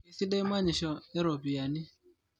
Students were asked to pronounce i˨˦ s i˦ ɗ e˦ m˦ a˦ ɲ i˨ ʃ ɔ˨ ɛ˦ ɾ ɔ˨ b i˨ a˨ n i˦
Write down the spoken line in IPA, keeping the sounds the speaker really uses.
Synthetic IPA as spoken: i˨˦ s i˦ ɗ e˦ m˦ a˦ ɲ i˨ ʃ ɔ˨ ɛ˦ ɾ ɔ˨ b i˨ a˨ n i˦

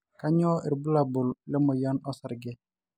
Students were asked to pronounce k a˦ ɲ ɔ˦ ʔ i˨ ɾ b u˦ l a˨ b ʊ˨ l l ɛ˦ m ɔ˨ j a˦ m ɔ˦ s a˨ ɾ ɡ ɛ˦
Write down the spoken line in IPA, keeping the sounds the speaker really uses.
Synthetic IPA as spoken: k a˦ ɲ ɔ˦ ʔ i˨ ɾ b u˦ l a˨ b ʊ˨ l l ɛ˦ m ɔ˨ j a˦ n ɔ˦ s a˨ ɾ ɡ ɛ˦

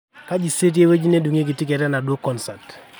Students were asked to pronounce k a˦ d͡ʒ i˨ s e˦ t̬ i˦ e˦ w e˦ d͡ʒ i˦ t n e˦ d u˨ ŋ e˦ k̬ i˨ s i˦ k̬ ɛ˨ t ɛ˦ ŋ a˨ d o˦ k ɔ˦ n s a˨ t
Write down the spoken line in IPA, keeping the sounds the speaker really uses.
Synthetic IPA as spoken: k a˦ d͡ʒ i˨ s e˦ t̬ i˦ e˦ w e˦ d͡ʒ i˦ n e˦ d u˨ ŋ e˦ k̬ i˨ t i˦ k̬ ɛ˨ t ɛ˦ n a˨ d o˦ k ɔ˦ n s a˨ t

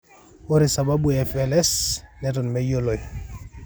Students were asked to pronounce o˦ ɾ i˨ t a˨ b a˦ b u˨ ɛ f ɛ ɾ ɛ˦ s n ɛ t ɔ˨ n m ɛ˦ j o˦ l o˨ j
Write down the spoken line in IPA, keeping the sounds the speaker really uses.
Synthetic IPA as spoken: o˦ ɾ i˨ s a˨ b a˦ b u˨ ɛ f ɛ l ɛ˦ s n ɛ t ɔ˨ n m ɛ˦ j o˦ l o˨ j

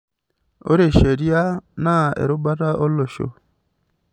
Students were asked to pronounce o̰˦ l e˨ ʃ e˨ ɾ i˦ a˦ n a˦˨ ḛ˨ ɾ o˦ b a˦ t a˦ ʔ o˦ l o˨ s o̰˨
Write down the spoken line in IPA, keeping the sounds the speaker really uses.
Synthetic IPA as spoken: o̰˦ ɾ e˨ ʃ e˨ ɾ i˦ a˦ n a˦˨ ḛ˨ ɾ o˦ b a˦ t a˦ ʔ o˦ l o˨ ʃ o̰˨

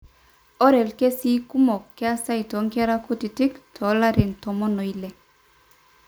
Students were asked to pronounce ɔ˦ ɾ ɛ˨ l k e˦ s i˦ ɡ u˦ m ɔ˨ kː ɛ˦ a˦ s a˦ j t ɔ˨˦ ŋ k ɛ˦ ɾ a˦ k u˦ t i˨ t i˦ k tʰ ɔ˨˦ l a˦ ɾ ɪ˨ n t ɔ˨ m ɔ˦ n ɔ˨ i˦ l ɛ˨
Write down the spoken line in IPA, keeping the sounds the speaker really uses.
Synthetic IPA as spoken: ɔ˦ ɾ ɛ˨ l k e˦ s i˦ k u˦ m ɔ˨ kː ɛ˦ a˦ s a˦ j t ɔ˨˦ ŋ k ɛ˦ ɾ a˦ k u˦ t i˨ t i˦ k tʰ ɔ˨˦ l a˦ ɾ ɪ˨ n t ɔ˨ m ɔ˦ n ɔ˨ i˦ l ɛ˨

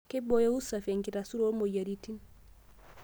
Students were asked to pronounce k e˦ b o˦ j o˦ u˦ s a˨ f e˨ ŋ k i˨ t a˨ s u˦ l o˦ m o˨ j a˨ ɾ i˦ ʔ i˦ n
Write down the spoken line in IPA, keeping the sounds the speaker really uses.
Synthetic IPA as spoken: k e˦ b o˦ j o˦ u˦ s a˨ f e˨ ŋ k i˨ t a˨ s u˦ ɾ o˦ m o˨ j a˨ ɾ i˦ t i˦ n

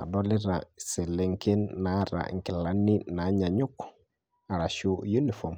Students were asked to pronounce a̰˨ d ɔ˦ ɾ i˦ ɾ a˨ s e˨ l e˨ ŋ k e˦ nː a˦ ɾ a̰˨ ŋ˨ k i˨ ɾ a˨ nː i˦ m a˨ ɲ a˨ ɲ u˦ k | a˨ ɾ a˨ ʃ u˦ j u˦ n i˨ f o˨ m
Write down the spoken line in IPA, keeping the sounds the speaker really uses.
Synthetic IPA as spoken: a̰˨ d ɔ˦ l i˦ ɾ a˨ s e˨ l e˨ ŋ k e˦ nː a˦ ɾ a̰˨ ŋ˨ k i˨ l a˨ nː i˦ n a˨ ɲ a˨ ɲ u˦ k | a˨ ɾ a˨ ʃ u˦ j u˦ n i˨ f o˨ m

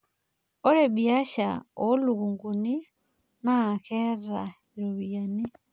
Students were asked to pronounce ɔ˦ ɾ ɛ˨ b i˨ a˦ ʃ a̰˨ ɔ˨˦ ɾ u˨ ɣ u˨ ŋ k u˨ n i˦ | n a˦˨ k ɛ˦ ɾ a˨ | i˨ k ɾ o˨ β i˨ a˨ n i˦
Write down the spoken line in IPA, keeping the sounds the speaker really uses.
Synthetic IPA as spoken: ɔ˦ ɾ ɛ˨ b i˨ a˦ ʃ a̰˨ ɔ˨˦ l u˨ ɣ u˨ ŋ ɡ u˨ n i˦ | n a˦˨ k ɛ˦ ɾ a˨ | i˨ ɾ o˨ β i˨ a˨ n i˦

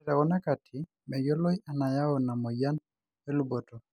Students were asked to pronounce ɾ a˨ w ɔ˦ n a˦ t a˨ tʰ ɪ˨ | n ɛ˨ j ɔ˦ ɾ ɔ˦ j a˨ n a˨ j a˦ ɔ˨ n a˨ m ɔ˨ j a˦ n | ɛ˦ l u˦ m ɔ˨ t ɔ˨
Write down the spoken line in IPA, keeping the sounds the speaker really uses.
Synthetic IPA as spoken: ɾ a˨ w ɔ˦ n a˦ k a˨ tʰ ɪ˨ | m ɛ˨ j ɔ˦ l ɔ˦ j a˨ n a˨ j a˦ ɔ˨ n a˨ m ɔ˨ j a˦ n | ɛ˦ l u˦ b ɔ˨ t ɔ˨

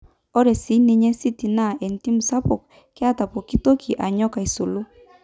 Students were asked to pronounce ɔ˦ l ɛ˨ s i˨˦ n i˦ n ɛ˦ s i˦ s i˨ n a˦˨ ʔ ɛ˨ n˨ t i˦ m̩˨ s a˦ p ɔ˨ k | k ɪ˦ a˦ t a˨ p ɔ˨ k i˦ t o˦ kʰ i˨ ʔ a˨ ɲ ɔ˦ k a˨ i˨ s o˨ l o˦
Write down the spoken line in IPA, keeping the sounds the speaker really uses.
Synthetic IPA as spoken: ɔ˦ ɾ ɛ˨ s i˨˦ n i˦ ɲ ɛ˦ s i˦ t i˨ n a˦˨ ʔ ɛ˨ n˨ t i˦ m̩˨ s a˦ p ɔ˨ k | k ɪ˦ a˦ t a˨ p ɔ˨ k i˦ t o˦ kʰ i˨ ʔ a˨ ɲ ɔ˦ k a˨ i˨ s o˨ l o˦

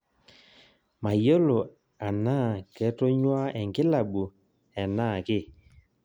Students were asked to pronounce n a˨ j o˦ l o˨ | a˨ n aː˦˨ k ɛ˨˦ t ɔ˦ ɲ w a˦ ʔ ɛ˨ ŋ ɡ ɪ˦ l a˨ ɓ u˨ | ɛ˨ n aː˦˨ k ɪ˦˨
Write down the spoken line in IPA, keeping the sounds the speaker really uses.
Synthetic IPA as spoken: m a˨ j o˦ l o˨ | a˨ n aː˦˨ k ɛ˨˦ t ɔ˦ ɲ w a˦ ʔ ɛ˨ ŋ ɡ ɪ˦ l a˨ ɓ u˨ | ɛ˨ n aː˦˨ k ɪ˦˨

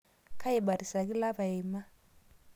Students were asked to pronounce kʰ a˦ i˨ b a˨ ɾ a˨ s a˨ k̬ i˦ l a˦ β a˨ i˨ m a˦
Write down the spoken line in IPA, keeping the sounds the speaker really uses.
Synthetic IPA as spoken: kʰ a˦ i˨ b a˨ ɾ i˨ s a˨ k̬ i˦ l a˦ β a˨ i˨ m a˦

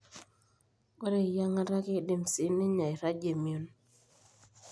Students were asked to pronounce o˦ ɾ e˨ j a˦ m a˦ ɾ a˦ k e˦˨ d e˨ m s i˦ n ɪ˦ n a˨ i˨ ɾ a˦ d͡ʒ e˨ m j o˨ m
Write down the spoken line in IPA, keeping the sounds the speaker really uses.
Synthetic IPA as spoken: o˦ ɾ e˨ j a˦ ŋ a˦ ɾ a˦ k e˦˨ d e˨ m s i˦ n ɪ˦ ɲ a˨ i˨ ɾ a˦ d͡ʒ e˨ m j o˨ n

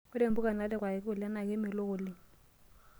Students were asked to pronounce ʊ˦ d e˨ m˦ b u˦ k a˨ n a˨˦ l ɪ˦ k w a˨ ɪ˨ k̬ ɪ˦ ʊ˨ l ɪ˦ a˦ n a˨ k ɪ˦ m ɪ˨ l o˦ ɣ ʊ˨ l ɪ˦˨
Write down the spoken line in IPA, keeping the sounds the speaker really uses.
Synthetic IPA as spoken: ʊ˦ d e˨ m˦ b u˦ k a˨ n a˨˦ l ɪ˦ k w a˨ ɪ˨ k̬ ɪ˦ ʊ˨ l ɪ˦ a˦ n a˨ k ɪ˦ m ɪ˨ l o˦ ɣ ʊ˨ l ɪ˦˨

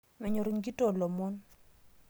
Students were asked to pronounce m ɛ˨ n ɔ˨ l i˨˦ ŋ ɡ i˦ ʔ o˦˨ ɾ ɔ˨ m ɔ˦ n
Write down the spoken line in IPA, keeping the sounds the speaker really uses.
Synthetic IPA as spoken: m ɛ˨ ɲ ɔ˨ ɾ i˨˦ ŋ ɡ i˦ t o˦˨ l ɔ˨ m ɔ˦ n

